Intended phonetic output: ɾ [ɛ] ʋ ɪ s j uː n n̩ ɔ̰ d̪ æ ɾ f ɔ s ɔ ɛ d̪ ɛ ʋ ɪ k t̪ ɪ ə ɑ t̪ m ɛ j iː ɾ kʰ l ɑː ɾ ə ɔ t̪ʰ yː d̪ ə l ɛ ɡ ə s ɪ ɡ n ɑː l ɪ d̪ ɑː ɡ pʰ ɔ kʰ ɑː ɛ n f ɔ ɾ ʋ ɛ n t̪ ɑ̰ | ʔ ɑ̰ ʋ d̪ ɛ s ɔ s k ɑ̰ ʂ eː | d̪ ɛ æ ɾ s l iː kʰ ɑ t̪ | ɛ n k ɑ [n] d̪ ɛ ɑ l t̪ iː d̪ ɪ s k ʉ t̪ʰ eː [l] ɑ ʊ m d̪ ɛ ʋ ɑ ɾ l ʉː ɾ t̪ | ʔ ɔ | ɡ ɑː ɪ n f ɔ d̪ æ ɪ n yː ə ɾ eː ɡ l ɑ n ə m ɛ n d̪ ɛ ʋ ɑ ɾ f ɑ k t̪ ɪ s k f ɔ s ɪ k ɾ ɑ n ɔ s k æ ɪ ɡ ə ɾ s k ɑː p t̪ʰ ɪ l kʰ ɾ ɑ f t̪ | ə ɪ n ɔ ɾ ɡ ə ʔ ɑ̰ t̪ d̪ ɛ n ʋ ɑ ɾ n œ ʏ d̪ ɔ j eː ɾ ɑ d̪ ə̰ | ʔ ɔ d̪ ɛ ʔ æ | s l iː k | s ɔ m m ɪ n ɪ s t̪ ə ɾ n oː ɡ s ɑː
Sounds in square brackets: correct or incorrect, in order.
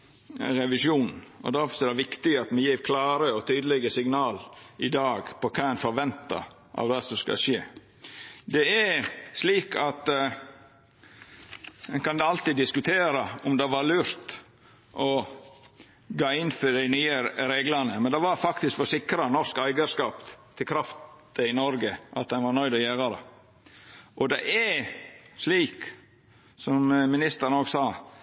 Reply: correct, correct, incorrect: ɾ

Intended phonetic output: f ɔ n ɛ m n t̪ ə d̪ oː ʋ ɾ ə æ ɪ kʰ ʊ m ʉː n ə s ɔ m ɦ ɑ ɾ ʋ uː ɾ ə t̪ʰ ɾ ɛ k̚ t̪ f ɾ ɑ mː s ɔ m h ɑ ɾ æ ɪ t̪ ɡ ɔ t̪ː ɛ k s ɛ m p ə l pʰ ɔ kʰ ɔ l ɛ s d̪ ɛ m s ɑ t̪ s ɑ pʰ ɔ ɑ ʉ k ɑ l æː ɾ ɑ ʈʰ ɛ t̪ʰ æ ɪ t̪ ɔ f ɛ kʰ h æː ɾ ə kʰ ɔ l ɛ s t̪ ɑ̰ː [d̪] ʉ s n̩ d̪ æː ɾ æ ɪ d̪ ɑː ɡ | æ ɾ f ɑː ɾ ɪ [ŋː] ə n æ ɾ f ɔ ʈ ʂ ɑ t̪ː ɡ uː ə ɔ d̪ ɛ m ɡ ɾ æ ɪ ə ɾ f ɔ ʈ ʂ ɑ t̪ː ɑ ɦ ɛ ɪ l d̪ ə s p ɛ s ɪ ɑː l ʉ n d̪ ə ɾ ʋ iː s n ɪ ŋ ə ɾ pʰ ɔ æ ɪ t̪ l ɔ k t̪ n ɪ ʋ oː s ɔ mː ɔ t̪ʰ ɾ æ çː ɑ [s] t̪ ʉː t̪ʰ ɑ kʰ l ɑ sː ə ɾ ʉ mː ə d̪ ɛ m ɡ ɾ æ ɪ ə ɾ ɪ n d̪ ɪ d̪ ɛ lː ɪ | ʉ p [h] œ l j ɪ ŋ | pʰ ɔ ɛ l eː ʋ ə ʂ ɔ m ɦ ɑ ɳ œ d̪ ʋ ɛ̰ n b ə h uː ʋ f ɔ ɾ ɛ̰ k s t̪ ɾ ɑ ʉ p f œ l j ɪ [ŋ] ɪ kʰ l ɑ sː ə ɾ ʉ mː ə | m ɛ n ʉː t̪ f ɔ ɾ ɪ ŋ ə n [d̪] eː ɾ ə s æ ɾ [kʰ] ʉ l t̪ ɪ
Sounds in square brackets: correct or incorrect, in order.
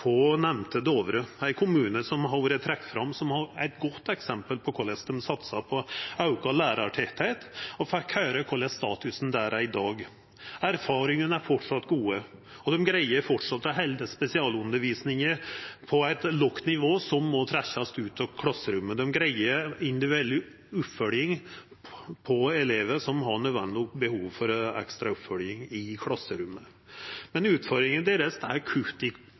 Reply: incorrect: t̪, incorrect: ŋ, correct, incorrect: f, correct, correct, correct

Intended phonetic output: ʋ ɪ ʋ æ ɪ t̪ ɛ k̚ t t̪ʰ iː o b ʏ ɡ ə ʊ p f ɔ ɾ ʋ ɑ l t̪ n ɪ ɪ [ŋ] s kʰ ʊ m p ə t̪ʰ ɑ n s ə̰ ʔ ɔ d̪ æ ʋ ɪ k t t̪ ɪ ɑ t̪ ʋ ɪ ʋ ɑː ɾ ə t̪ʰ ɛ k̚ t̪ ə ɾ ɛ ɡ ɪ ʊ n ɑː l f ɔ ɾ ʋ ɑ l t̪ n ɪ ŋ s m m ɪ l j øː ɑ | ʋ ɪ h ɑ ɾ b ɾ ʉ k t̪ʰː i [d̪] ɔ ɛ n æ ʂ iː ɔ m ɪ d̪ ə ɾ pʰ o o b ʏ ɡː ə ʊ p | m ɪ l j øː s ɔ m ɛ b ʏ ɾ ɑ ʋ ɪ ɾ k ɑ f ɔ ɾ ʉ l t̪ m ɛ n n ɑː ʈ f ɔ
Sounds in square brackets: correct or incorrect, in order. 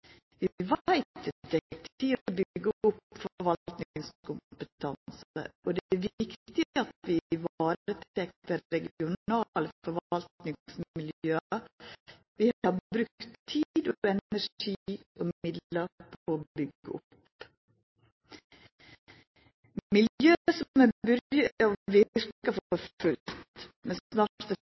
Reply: correct, correct

